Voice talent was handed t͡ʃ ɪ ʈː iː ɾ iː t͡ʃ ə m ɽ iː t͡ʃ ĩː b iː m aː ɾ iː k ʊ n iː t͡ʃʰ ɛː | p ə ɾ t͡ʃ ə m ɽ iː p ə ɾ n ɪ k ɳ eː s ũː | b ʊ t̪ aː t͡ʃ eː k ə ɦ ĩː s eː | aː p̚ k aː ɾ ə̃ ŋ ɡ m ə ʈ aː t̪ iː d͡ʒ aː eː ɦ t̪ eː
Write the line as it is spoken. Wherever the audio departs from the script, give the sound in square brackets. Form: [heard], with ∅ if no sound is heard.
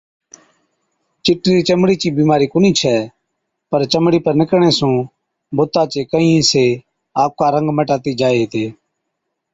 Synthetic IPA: t͡ʃ ɪ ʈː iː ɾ iː t͡ʃ ə m ɽ iː t͡ʃ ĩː b iː m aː ɾ iː k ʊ n iː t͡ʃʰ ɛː | p ə ɾ t͡ʃ ə m ɽ iː p ə ɾ n ɪ k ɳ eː s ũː | b ʊ t̪ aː t͡ʃ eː k ə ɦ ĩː s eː | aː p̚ k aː ɾ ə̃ ŋ ɡ m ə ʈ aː t̪ iː d͡ʒ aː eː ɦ t̪ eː